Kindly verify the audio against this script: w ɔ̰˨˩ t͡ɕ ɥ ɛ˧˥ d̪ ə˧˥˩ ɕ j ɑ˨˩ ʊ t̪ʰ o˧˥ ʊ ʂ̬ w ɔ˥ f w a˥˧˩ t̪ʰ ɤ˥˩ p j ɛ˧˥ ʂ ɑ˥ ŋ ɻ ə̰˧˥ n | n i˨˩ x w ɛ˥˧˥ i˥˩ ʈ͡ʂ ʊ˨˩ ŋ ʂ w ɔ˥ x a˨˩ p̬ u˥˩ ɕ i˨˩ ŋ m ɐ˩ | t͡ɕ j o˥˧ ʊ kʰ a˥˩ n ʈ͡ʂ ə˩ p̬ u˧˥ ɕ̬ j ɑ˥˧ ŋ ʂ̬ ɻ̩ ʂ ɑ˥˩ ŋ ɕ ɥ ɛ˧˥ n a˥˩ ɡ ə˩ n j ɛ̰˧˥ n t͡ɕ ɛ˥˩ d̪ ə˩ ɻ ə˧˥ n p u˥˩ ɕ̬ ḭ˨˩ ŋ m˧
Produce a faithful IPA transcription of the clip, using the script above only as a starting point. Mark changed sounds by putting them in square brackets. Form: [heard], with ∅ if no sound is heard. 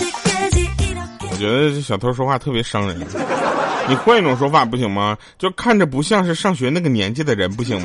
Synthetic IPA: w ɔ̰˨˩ t͡ɕ ɥ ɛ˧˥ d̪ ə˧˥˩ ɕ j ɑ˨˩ ʊ t̪ʰ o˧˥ ʊ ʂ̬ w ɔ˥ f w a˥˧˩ t̪ʰ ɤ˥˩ p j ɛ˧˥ ʂ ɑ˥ ŋ ɻ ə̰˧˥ n | n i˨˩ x w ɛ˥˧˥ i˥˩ ʈ͡ʂ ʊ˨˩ ŋ ʂ w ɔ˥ [f] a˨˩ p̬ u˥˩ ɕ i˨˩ ŋ m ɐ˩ | t͡ɕ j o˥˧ ʊ kʰ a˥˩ n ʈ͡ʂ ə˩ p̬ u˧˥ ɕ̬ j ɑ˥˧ ŋ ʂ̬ ɻ̩ ʂ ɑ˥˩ ŋ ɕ ɥ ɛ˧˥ n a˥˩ ɡ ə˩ n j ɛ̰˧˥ n t͡ɕ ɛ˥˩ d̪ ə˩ ɻ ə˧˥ n p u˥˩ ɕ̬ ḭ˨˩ ŋ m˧